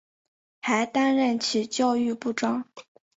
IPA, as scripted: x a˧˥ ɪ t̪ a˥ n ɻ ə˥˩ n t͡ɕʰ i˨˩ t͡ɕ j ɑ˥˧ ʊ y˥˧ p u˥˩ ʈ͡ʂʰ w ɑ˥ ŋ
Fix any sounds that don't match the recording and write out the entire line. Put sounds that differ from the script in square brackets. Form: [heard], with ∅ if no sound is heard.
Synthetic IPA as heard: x a˧˥ ɪ t̪ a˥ n ɻ ə˥˩ n t͡ɕʰ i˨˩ t͡ɕ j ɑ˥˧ ʊ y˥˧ p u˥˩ [ʈ͡ʂ] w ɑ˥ ŋ

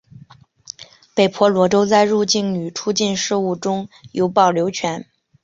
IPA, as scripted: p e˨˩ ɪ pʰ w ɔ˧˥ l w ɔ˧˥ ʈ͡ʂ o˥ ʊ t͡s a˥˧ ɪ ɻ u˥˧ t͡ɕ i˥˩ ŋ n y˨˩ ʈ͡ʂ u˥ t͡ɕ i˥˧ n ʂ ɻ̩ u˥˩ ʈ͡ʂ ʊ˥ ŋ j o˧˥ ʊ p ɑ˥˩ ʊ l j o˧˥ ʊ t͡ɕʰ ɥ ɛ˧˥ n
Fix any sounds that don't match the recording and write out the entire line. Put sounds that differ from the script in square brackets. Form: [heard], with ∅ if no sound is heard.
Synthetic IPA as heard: p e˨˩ ɪ pʰ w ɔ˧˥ l w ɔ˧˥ ʈ͡ʂ o˥ ʊ t͡s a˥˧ ɪ ɻ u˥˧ t͡ɕ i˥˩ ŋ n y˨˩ [ʈ͡ʂʰ] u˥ t͡ɕ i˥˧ n ʂ ɻ̩ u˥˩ ʈ͡ʂ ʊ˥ ŋ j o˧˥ ʊ p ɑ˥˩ ʊ l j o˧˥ ʊ t͡ɕʰ ɥ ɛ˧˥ n

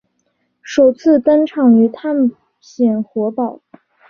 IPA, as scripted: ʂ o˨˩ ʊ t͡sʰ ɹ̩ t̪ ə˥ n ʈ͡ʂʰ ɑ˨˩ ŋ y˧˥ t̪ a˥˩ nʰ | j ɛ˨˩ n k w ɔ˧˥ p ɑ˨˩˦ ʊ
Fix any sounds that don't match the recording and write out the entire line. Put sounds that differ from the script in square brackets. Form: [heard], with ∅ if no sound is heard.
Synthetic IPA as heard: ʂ o˨˩ ʊ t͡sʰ ɹ̩ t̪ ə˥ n ʈ͡ʂʰ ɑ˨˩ ŋ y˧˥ [t̪ʰ] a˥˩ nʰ | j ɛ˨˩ n [x] w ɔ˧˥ p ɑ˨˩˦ ʊ

